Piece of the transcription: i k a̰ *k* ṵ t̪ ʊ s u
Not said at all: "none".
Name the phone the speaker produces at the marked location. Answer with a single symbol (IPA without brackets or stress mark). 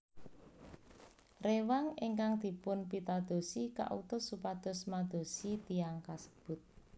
ʔ